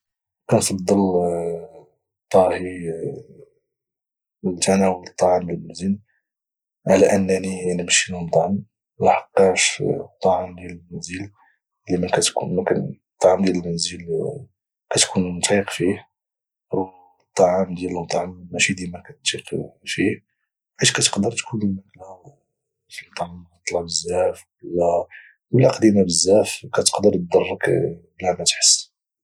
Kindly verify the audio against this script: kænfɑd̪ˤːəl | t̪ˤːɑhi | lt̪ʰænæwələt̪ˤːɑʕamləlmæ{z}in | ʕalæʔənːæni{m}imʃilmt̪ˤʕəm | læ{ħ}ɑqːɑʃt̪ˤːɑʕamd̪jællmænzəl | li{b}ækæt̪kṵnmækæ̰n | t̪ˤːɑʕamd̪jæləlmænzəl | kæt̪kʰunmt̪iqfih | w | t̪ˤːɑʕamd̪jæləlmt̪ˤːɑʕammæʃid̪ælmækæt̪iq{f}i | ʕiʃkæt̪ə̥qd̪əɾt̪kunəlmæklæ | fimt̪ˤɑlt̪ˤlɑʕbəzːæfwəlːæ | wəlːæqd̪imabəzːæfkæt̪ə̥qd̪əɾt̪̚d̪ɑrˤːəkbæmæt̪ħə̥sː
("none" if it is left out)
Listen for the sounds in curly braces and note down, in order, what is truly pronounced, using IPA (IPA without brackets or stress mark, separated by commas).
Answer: z, n, ħ, m, f